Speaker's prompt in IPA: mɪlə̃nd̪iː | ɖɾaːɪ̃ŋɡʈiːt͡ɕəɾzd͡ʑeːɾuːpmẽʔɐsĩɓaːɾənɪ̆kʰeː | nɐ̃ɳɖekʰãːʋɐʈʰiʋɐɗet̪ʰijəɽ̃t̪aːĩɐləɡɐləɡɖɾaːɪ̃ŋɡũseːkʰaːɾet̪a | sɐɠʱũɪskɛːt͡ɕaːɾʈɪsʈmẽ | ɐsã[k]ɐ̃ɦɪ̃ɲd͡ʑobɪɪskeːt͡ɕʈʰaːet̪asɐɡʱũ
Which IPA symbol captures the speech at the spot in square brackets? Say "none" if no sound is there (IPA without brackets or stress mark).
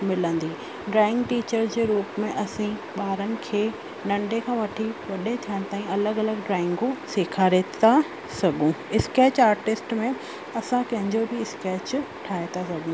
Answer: k